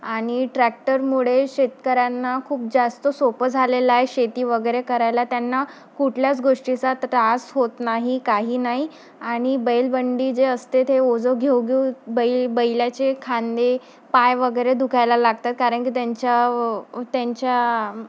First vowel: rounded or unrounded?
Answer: unrounded